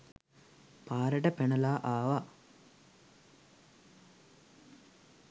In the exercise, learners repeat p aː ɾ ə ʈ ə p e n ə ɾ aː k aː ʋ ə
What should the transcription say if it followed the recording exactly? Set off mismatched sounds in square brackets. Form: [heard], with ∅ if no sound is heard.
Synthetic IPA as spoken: p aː ɾ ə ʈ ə p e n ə [l] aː [ʔ] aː ʋ [a]